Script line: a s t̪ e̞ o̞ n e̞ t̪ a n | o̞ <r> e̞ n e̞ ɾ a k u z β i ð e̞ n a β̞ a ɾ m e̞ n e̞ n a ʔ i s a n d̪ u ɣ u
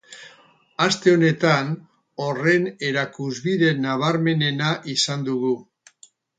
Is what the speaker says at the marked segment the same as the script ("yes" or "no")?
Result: yes